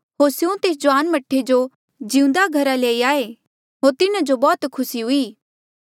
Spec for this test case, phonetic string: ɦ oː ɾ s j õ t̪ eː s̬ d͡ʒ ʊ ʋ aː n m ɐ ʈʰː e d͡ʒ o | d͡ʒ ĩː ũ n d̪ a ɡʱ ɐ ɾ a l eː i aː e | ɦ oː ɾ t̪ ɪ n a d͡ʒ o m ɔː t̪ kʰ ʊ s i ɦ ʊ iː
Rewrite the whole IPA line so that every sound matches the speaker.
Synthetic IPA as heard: ɦ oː ɾ s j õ t̪ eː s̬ d͡ʒ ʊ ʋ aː n m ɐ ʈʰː e d͡ʒ o | d͡ʒ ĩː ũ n d̪ a ɡʱ ɐ ɾ a l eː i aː e | ɦ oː ɾ t̪ ɪ n a d͡ʒ o b ɔː t̪ kʰ ʊ s i ɦ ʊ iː